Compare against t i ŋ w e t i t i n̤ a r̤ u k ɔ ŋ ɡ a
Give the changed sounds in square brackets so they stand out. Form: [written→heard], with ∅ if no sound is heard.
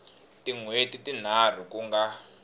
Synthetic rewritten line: t i ŋ w e t i t i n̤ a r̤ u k [ɔ→u] ŋ ɡ a